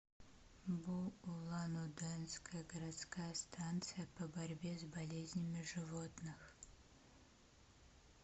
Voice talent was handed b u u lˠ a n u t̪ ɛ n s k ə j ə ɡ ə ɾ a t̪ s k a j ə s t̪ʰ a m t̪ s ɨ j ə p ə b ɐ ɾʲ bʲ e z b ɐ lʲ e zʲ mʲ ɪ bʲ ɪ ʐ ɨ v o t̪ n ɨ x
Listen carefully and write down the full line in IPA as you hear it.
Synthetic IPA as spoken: b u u lˠ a n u d̪ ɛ n s k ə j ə ɡ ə ɾ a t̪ s k a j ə s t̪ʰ a n t̪ s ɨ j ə p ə b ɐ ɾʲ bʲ e z b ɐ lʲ e zʲ nʲ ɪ mʲ ɪ ʐ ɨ v o t̪ n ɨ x